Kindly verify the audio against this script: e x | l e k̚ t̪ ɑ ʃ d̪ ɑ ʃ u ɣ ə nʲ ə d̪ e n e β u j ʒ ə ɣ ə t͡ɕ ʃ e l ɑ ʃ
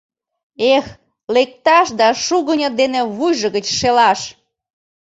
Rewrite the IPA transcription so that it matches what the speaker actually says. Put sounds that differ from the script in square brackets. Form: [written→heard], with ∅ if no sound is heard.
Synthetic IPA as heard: e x | l e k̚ t̪ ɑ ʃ d̪ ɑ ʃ u ɣ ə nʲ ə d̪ e n e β u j ʒ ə ɣ ə t͡ɕ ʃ e l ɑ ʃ

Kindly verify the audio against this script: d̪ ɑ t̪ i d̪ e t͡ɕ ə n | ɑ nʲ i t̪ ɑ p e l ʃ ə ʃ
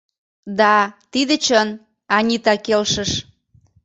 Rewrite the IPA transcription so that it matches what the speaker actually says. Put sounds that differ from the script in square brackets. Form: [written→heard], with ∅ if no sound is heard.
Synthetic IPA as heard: d̪ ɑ t̪ i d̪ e t͡ɕ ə n | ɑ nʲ i t̪ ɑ [p→k] e l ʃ ə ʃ

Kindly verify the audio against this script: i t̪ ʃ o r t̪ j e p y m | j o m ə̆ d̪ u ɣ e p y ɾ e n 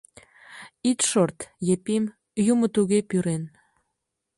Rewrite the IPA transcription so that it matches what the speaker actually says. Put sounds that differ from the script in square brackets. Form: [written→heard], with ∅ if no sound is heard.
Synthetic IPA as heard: i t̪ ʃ o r t̪ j e p [y→i] m | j [o→u] m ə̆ [d̪→t̪] u ɣ e p y ɾ e n

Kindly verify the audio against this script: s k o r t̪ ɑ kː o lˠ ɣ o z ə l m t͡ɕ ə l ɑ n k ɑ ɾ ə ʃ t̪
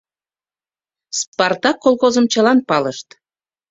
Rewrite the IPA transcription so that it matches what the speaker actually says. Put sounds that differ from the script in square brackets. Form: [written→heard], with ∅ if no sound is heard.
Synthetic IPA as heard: s [k→p] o r t̪ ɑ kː o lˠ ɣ o z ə [l→∅] m t͡ɕ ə l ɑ n [k→p] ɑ [ɾ→l] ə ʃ t̪

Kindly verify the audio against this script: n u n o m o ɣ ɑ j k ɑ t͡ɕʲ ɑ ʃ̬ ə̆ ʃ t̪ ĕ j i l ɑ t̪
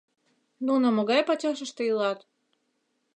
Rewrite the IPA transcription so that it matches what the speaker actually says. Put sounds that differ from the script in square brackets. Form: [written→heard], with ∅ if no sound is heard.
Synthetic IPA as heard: n u n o m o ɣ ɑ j [k→p] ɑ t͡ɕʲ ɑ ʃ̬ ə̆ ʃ t̪ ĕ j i l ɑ t̪

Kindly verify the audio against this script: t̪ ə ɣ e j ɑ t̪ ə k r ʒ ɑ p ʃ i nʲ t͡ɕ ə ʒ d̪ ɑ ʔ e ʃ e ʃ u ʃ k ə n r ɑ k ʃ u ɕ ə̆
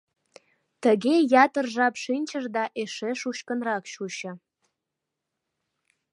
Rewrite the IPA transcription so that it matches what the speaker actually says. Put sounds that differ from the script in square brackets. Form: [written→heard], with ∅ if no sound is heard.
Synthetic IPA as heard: t̪ ə ɣ e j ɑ t̪ ə [k→∅] r ʒ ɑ p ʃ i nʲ t͡ɕ ə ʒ d̪ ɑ ʔ e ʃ e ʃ u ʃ k ə n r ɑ k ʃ u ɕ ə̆

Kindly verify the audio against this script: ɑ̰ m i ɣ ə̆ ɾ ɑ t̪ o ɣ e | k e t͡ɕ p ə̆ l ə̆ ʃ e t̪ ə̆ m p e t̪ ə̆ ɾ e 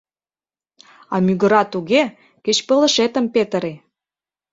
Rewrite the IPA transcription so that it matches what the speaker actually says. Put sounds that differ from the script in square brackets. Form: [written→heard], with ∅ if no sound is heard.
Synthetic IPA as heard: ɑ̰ m [i→y] ɣ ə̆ ɾ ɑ t̪ [o→u] ɣ e | k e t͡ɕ p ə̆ l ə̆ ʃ e t̪ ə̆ m p e t̪ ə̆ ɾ e

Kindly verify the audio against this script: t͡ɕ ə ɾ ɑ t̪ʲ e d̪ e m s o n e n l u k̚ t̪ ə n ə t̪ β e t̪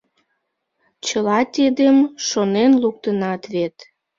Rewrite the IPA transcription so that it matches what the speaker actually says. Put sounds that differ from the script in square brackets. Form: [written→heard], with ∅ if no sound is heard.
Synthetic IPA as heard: t͡ɕ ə [ɾ→l] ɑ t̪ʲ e d̪ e m [s→ʃ] o n e n l u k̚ t̪ ə n [ə→ɑ] t̪ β e t̪

